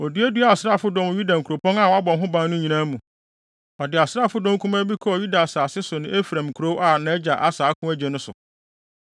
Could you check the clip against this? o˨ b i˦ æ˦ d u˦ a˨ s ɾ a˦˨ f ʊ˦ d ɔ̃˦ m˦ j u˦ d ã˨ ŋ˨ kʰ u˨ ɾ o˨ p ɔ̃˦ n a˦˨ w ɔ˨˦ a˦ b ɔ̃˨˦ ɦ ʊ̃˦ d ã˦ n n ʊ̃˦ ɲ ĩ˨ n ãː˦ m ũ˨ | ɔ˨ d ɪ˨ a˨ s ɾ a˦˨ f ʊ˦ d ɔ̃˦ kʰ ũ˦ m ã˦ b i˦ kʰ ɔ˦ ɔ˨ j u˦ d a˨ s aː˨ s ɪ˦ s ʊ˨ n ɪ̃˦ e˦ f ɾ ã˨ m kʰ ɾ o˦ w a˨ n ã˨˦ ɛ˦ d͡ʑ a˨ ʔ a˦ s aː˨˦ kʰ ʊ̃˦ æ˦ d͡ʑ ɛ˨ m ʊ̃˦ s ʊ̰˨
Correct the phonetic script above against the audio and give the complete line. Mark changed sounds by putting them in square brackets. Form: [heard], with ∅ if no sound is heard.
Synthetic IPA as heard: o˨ [d] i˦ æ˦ d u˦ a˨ s ɾ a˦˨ f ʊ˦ d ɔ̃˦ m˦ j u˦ d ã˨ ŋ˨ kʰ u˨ ɾ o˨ p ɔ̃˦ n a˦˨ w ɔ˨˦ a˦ b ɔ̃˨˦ ɦ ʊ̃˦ [b] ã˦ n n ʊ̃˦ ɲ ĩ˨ n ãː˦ m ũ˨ | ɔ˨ d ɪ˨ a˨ s ɾ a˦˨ f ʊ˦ d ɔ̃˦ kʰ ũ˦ m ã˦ b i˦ kʰ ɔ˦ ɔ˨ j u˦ d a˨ s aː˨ s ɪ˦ s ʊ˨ n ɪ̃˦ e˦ f ɾ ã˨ m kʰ ɾ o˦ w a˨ n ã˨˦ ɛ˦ d͡ʑ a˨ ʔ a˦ s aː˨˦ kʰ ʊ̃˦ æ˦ d͡ʑ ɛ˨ [n] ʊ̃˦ s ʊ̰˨